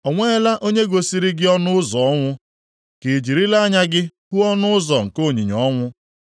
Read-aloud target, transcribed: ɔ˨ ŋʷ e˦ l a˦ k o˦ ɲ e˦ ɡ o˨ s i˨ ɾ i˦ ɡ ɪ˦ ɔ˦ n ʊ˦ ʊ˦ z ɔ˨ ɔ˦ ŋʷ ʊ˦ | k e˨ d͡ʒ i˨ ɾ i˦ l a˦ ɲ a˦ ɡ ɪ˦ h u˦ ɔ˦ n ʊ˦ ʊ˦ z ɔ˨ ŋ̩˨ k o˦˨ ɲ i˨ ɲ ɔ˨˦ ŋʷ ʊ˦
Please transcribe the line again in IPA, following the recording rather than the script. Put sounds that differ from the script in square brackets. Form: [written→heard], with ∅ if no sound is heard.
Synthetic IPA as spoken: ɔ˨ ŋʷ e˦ l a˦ [k→ʔ] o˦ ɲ e˦ ɡ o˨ s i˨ ɾ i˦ ɡ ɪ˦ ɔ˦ n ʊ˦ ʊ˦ z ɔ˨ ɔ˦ ŋʷ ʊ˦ | k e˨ d͡ʒ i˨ ɾ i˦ l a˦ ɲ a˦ ɡ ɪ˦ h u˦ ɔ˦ n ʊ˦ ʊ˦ z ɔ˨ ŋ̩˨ k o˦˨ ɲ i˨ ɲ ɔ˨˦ ŋʷ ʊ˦